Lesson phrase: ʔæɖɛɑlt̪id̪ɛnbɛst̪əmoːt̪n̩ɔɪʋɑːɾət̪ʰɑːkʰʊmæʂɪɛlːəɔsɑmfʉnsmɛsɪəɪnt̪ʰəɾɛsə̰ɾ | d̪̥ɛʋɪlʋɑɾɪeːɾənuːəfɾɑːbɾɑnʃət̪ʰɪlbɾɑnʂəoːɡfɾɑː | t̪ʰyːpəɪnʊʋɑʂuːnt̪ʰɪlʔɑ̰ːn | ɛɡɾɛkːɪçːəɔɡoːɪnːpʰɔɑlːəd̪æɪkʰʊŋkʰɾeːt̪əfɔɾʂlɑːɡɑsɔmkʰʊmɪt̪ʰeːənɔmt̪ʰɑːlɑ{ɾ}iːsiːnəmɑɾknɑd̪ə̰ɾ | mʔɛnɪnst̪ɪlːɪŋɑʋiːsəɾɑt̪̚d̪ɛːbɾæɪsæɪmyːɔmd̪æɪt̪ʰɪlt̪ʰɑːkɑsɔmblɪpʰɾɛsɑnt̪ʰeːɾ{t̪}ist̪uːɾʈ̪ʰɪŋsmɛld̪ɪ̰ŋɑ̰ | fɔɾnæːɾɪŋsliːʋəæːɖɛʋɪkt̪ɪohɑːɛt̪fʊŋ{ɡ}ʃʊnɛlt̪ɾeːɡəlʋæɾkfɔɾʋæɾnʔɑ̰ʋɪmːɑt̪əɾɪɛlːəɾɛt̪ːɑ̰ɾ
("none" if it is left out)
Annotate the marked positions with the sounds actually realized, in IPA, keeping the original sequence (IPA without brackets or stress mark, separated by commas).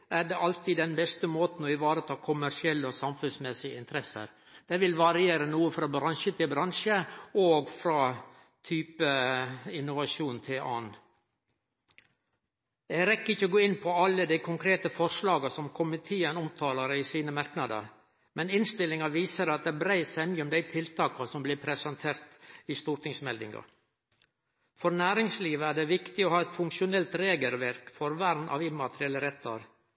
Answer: ɾ, t̪, k